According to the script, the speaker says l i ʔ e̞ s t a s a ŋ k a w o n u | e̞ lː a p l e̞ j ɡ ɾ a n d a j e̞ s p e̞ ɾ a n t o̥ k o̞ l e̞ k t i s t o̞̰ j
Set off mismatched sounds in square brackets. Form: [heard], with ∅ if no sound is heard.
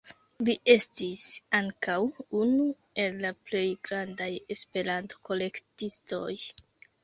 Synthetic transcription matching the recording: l i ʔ e̞ s t [i] s a ŋ k a w [u] n u | e̞ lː a p l e̞ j ɡ ɾ a n d a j e̞ s p e̞ ɾ a n t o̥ k o̞ l e̞ k t i s t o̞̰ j